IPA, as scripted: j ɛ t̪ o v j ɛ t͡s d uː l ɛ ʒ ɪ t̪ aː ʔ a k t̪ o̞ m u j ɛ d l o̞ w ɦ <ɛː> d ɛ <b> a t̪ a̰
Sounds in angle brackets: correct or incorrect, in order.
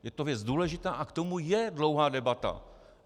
incorrect, correct

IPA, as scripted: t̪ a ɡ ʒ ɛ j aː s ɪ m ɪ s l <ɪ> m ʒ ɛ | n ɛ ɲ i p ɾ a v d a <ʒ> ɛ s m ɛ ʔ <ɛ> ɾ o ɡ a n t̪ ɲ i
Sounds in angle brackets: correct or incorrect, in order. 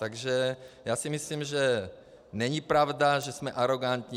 incorrect, correct, incorrect

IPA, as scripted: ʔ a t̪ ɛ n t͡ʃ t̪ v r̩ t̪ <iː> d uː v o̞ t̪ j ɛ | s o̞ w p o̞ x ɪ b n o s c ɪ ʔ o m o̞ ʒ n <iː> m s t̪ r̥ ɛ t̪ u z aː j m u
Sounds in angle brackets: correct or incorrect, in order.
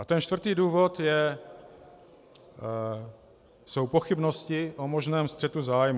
correct, incorrect

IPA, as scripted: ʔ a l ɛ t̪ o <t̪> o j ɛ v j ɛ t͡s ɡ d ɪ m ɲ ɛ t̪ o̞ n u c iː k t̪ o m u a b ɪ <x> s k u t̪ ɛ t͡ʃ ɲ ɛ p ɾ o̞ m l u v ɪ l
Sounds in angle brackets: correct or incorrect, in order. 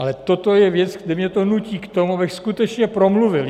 correct, correct

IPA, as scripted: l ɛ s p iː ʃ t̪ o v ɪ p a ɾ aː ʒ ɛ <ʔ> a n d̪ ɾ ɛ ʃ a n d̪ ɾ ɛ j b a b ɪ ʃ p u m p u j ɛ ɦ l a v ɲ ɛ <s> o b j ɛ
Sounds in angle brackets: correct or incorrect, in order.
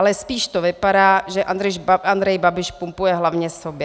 correct, correct

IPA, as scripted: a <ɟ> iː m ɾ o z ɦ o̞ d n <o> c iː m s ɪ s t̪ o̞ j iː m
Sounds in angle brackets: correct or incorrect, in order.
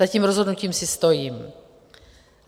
incorrect, incorrect

